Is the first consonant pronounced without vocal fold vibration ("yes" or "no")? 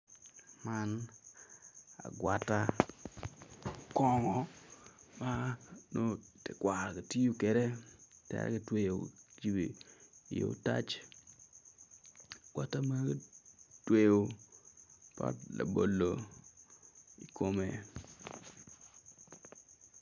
no